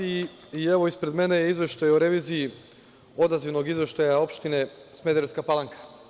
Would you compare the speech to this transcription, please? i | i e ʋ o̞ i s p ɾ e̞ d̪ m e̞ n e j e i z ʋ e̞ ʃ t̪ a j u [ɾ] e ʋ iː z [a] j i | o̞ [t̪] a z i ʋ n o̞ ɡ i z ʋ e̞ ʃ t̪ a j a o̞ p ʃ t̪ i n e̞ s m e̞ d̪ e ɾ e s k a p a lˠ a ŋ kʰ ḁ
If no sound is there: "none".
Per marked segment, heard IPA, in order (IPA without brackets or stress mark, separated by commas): ɾ, i, d̪